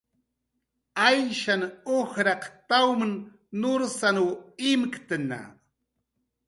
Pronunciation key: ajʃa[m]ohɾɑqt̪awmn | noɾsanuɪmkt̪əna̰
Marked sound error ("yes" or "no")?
yes